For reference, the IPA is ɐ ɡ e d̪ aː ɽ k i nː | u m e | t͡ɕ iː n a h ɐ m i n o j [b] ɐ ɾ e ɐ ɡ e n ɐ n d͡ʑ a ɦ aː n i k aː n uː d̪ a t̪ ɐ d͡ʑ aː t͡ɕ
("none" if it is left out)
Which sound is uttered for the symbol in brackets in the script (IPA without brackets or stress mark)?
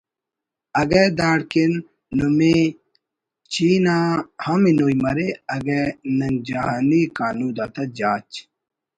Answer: m